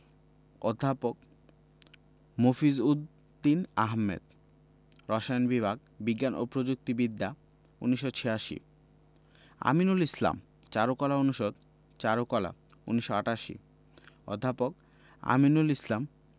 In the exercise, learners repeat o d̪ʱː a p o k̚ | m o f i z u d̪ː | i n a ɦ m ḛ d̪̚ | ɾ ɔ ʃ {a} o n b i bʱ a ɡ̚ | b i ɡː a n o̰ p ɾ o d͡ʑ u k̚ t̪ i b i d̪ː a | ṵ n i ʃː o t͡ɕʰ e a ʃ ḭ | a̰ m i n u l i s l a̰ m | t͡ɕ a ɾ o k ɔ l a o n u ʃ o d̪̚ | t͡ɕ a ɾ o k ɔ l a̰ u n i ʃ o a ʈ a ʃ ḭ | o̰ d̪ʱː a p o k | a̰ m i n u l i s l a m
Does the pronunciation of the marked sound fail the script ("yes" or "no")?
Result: no